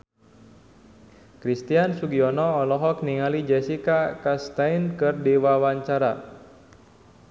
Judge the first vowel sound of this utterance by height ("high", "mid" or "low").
high